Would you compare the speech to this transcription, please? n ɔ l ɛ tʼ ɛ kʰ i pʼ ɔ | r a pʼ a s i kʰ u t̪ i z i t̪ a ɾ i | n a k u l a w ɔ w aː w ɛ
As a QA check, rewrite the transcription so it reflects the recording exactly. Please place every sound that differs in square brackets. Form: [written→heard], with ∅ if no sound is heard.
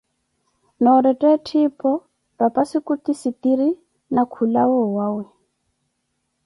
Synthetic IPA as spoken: n ɔ [l→ɾ] ɛ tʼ ɛ [kʰ→tʰ] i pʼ ɔ | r a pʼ a s i [kʰ→k] u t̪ i [z→s] i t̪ [a→i] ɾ i | n a [k→kʰ] u l a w ɔ w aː w ɛ